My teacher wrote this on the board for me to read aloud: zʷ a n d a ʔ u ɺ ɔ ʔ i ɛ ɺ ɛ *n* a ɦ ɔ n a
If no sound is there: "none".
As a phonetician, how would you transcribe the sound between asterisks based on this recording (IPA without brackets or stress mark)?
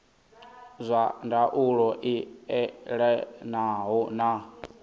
n